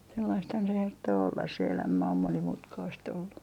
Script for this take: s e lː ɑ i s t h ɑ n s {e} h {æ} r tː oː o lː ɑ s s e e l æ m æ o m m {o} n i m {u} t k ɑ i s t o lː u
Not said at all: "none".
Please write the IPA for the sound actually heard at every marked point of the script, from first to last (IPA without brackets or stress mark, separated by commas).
e, e, o, u